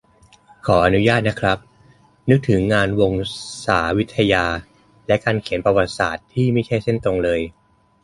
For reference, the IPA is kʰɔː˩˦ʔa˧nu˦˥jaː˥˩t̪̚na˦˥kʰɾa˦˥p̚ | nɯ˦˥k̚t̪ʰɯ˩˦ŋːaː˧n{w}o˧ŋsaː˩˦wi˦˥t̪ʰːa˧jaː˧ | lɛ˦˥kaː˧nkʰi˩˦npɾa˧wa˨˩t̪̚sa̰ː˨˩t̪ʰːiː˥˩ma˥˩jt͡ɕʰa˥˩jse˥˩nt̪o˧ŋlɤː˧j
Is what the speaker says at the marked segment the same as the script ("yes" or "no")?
yes